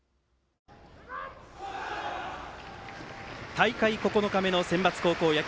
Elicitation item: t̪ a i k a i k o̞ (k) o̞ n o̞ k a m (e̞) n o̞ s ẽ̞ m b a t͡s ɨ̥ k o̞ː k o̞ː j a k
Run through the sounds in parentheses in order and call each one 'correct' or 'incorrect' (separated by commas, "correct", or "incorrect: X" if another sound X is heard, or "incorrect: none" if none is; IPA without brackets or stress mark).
correct, correct